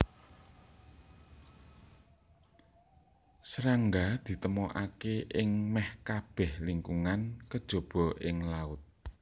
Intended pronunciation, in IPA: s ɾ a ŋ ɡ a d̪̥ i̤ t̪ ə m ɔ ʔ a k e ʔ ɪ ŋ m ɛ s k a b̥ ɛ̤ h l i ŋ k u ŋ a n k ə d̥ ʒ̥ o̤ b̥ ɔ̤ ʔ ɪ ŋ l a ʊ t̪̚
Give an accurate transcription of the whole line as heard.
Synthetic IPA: s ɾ a ŋ ɡ a d̪̥ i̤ t̪ ə m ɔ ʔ a k e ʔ ɪ ŋ m ɛ h k a b̥ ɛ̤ h l i ŋ k u ŋ a n k ə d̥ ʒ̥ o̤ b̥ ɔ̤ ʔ ɪ ŋ l a ʊ t̪̚